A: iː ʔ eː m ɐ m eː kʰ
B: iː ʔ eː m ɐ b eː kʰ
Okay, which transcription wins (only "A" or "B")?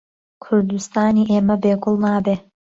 B